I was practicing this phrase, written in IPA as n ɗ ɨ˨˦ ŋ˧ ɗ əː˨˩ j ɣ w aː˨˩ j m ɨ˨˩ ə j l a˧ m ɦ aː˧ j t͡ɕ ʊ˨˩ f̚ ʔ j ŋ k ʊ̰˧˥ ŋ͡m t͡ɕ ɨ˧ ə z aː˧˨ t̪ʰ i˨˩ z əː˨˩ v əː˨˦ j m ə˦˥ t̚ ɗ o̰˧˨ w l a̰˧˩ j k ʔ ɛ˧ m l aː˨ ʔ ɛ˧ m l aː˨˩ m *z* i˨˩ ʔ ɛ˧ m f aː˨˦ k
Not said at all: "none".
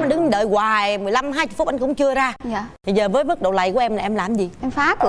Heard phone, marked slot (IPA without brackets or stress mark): z